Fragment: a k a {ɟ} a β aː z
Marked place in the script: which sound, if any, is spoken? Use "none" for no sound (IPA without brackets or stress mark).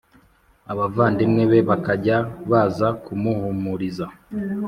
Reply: ɟ